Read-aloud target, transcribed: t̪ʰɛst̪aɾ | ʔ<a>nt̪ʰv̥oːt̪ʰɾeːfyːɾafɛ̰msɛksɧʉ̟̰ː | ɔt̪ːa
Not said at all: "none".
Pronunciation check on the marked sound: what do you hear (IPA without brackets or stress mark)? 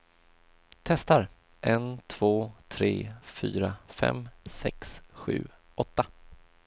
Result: ɛ